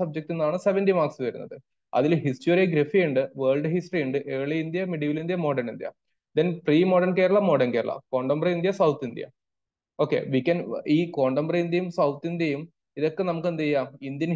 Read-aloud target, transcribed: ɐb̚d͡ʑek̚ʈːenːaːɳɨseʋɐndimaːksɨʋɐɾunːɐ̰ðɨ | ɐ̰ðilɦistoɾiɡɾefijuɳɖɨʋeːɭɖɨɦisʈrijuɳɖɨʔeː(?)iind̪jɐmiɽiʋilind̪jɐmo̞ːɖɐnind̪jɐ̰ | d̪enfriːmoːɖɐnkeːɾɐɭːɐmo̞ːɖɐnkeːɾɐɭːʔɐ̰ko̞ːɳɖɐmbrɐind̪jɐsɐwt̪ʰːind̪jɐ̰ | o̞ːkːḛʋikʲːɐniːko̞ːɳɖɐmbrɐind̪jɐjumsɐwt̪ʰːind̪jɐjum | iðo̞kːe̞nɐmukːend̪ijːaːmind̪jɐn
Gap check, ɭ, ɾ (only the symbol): ɭ